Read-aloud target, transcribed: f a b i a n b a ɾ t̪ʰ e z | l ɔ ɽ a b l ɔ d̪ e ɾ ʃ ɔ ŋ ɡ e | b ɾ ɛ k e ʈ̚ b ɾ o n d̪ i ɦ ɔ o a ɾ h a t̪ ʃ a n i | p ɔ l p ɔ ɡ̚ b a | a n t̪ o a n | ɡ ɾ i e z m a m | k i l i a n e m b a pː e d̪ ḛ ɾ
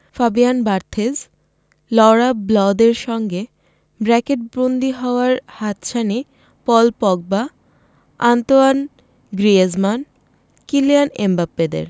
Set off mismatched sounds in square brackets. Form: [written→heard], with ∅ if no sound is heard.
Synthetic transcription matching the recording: f a b i a n b a ɾ t̪ʰ e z | l ɔ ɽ a b l ɔ d̪ e ɾ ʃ ɔ ŋ ɡ e | b ɾ ɛ k e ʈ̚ b ɾ o n d̪ i ɦ ɔ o a ɾ h a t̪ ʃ a n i | p ɔ l p ɔ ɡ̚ b a | a n t̪ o a n | ɡ ɾ i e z m a [m→n] | k i l i a n e m b a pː e d̪ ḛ ɾ